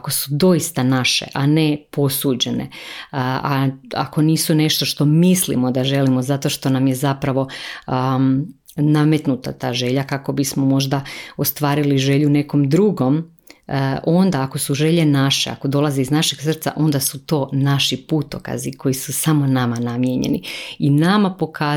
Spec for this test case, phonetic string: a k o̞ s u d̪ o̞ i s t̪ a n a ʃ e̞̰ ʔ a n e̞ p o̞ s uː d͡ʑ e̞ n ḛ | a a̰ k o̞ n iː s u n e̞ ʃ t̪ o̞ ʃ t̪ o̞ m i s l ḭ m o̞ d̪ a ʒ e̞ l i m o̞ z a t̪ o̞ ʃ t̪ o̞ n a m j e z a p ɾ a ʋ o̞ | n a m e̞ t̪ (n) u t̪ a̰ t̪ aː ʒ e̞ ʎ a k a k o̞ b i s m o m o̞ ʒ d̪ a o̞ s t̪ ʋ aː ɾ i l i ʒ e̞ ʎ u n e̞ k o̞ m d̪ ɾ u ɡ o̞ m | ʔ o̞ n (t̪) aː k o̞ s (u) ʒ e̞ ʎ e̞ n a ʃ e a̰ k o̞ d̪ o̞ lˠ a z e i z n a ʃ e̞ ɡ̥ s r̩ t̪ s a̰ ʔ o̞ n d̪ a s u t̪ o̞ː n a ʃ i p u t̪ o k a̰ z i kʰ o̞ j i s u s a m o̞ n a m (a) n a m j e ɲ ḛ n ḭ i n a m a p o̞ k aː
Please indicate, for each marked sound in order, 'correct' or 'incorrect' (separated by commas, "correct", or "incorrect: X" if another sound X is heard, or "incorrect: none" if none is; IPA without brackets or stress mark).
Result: correct, incorrect: d̪, correct, correct